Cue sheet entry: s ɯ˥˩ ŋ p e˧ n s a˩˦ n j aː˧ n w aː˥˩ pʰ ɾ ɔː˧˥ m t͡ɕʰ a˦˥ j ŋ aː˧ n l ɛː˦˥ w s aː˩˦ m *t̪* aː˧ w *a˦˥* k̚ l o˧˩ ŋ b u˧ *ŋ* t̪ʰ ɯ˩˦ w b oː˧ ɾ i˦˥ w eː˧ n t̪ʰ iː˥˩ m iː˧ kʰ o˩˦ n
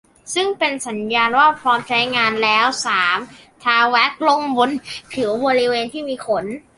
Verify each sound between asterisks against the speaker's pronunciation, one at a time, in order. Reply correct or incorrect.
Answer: incorrect, incorrect, incorrect

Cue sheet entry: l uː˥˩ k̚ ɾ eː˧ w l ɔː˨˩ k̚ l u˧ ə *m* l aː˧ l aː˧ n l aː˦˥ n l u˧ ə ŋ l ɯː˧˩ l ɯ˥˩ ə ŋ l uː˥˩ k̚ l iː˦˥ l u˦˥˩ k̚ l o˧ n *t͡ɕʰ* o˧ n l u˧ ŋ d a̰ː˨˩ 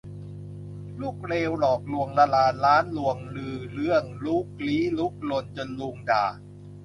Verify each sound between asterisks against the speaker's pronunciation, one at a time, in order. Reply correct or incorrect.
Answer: incorrect, incorrect

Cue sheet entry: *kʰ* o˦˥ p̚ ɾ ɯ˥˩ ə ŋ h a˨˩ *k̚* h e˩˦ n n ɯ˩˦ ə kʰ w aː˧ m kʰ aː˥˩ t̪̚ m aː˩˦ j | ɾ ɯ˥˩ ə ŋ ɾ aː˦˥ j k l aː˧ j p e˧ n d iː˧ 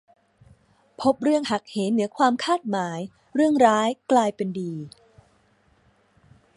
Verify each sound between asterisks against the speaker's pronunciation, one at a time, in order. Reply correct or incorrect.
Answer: incorrect, correct

